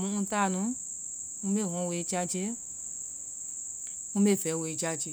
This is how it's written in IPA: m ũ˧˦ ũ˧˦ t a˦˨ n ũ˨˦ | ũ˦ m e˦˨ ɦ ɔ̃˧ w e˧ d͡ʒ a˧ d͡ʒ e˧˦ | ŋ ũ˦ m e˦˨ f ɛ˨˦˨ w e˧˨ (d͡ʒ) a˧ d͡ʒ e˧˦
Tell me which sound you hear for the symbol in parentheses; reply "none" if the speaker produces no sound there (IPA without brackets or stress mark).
d͡ʒ